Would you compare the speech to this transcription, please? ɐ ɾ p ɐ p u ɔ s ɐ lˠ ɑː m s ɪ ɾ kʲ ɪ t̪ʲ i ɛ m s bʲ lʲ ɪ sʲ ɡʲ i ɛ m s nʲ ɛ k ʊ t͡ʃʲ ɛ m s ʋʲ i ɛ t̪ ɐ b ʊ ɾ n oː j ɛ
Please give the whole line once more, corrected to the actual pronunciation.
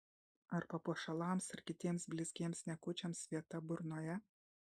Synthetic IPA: ɐ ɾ p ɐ p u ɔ ʃ ɐ lˠ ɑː m s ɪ ɾ kʲ ɪ t̪ʲ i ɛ m s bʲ lʲ ɪ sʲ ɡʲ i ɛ m s nʲ ɛ k ʊ t͡ʃʲ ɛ m s ʋʲ i ɛ t̪ ɐ b ʊ ɾ n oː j ɛ